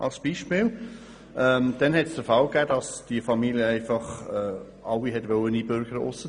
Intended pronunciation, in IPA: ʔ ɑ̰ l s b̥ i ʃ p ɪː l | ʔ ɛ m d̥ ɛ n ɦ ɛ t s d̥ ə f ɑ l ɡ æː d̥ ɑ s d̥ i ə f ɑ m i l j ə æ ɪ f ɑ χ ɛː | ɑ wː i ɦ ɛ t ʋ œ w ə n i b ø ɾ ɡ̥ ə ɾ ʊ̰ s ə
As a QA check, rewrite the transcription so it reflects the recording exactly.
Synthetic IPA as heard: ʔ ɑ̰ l s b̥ i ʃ p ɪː l | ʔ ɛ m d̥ ɛ n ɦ ɛ t s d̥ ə f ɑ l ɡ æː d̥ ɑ s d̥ i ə f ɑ m i l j ə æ ɪ f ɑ χ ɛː | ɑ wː i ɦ ɛ t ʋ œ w ə n i b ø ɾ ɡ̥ ə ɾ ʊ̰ s ə